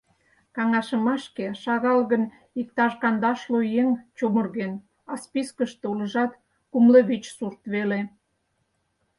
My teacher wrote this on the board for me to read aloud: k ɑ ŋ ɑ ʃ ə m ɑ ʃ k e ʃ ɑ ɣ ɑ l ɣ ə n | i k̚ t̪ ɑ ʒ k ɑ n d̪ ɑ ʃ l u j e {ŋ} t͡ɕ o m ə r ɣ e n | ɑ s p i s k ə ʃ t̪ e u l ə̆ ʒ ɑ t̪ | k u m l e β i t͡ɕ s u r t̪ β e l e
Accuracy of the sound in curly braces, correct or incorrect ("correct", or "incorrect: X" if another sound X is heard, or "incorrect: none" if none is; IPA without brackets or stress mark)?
correct